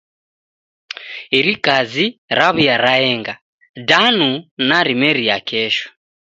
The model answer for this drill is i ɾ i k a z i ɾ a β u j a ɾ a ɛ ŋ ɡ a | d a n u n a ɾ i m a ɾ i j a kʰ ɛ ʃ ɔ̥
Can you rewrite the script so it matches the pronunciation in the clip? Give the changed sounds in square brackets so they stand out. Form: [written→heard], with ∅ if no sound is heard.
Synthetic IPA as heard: i ɾ i k a z i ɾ a β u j a ɾ a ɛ ŋ ɡ a | d a n u n a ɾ i m [a→ɛ] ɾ i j a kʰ ɛ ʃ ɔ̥

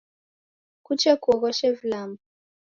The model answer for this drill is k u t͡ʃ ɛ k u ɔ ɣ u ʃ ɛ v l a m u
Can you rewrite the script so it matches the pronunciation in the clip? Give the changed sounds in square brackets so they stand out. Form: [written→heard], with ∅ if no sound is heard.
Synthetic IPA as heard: k u t͡ʃ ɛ k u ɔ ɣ [u→ɔ] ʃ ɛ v l a m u

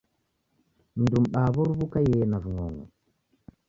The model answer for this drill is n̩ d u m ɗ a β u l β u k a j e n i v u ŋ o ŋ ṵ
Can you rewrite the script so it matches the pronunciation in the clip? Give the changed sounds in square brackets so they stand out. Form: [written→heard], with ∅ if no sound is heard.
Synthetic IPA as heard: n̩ d u m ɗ a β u [l→ɾ] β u k a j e n [i→a] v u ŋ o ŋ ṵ

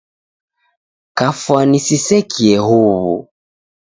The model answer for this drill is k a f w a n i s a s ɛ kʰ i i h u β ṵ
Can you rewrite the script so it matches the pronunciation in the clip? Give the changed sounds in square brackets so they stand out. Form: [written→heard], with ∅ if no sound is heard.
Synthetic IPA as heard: k a f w a n i s [a→i] s ɛ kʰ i [i→ɛ] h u β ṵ

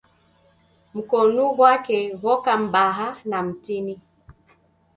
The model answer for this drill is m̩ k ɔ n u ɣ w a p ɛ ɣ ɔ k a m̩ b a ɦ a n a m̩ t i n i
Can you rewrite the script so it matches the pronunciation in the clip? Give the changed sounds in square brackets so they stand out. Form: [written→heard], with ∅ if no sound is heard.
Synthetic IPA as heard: m̩ k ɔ n u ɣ w a [p→k] ɛ ɣ ɔ k a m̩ b a ɦ a n a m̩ t i n i

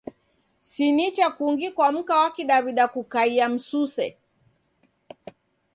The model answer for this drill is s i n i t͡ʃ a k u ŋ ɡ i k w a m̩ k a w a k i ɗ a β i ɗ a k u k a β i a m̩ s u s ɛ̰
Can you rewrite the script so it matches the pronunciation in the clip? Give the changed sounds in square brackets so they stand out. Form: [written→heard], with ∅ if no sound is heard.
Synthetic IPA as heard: s i n i t͡ʃ a k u ŋ ɡ i k w a m̩ k a w a k i ɗ a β i ɗ a k u k a [β→∅] i a m̩ s u s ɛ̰

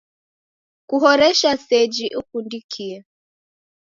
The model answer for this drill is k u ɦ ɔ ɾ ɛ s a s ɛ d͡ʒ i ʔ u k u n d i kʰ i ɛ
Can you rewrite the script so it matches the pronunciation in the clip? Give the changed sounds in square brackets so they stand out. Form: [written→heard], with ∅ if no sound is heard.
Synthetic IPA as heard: k u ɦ ɔ ɾ ɛ [s→ʃ] a s ɛ d͡ʒ i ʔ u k u n d i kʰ i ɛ

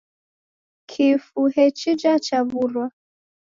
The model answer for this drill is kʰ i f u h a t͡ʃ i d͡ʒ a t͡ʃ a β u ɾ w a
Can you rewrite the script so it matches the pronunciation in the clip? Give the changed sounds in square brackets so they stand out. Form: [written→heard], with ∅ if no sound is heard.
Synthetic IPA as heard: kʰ i f u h [a→ɛ] t͡ʃ i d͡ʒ a t͡ʃ a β u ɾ w a

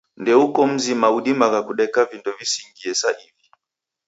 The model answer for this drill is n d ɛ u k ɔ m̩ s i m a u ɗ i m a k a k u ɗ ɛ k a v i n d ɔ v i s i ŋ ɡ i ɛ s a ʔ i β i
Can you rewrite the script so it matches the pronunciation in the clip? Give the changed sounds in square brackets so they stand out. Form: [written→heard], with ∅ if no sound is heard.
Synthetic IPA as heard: n d ɛ u k ɔ m̩ [s→z] i m a u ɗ i m a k a k u ɗ ɛ k a v i n d ɔ v i s i ŋ ɡ i ɛ s a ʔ i [β→v] i

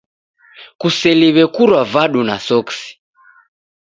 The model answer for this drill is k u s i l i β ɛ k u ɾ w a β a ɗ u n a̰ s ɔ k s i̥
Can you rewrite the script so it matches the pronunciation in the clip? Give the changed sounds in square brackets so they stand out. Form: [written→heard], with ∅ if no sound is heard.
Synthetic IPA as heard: k u s [i→ɛ] l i β ɛ k u ɾ w a [β→v] a ɗ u n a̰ s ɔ k s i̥

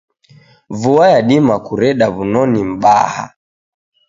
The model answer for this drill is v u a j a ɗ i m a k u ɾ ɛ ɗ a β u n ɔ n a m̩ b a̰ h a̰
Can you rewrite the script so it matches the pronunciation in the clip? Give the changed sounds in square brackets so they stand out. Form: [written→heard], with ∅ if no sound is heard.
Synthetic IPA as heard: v u a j a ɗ i m a k u ɾ ɛ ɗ a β u n ɔ n [a→i] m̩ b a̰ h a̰

